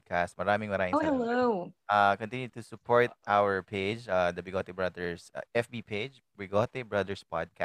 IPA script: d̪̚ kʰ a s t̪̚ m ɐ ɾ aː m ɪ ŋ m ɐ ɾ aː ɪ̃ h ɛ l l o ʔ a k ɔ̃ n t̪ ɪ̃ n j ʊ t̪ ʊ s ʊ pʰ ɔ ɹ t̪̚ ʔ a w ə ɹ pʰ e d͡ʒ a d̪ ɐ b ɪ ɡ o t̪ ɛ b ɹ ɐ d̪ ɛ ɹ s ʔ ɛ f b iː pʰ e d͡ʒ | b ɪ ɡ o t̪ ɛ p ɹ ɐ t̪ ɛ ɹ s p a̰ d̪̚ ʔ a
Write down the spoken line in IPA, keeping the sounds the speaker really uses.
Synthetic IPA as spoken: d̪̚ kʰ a s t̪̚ m ɐ ɾ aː m ɪ ŋ m ɐ ɾ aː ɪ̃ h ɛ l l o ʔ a k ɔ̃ n t̪ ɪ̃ n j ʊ t̪ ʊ s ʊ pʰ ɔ ɹ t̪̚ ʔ a w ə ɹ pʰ e d͡ʒ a d̪ ɐ b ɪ ɡ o t̪ ɛ b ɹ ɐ d̪ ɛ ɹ s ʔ ɛ f b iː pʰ e d͡ʒ | b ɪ ɡ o t̪ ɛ b ɹ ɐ d̪ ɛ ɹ s p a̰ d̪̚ k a